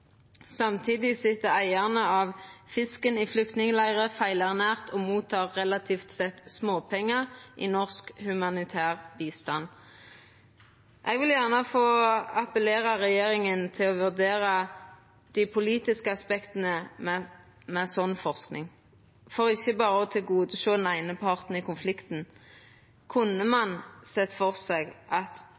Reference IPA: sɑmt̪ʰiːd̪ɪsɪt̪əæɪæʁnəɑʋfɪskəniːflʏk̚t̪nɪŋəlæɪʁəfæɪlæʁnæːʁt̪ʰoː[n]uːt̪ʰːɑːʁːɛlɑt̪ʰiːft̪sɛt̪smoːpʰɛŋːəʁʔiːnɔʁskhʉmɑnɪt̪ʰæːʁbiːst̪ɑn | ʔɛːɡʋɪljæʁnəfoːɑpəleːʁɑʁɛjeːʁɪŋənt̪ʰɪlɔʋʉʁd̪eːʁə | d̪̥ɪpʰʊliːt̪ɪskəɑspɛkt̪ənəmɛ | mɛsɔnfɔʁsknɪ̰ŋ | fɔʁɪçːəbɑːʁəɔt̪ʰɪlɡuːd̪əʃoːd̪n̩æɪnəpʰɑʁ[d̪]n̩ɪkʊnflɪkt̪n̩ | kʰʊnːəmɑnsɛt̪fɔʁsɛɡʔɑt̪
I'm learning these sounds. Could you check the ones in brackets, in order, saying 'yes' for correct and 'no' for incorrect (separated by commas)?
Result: no, no